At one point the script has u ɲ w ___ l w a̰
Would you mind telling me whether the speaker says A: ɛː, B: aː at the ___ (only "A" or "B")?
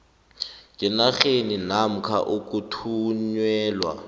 A